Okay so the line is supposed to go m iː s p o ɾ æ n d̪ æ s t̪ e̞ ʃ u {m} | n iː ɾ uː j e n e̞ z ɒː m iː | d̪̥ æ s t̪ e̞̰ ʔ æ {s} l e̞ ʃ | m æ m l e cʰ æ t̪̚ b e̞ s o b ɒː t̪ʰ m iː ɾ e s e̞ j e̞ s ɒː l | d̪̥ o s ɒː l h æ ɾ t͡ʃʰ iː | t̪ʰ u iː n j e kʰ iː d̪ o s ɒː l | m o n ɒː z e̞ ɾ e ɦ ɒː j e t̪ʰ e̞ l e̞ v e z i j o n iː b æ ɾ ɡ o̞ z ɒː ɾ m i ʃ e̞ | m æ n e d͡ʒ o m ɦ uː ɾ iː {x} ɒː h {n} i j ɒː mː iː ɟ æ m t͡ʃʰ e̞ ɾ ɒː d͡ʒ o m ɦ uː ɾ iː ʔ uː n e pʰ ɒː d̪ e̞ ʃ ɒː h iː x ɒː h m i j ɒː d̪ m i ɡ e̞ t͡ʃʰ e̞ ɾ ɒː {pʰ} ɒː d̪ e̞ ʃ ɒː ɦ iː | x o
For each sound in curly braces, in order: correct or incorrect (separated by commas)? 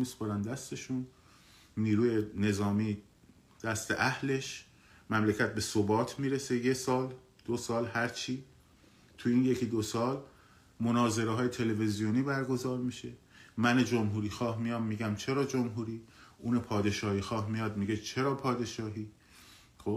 incorrect, incorrect, correct, incorrect, correct